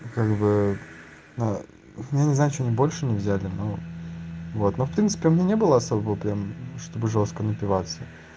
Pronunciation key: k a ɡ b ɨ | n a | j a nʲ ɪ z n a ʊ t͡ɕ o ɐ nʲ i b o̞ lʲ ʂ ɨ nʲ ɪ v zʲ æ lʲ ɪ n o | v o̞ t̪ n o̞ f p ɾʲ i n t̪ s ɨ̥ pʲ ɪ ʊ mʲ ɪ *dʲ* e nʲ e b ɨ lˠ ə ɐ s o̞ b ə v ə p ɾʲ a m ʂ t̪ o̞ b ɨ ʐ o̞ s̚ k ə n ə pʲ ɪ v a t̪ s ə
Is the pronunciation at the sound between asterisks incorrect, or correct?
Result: incorrect: nʲ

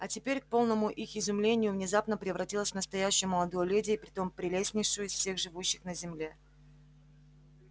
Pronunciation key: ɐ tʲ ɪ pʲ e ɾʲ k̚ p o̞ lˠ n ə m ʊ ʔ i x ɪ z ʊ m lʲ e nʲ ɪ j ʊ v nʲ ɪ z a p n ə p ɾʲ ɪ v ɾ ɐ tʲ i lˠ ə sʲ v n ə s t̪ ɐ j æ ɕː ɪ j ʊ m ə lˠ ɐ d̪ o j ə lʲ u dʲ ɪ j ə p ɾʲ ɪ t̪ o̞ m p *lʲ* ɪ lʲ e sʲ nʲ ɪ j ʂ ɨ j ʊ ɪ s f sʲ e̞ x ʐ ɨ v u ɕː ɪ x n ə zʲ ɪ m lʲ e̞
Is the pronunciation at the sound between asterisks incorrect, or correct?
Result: incorrect: ɾʲ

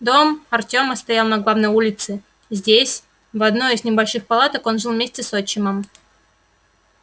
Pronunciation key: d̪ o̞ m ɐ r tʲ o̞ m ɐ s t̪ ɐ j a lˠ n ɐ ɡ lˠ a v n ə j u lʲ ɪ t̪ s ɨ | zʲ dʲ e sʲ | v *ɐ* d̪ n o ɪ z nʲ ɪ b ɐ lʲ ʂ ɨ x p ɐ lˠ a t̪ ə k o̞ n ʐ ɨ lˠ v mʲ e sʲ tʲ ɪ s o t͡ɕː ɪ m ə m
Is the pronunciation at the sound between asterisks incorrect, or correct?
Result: correct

